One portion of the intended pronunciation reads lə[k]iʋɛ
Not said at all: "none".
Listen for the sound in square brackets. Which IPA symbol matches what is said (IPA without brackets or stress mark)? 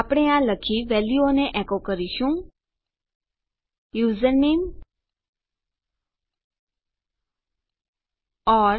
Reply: kʰ